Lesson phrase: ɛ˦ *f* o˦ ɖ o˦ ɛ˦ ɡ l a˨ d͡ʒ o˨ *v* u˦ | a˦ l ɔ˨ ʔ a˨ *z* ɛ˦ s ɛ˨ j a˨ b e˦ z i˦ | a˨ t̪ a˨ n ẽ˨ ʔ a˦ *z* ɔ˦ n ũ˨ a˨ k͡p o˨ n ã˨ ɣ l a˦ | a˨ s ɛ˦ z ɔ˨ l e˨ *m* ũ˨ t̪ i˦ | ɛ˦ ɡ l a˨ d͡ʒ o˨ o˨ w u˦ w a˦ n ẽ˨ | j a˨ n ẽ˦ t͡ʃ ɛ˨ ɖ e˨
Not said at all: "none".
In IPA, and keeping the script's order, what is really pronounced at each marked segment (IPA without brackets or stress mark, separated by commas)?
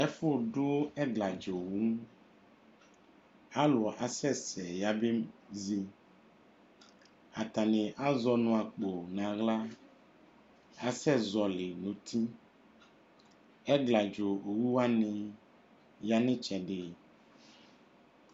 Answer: f, w, s, z, n